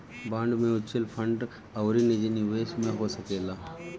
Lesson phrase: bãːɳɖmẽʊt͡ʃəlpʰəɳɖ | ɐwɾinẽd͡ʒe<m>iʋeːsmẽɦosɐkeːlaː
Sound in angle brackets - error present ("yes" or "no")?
yes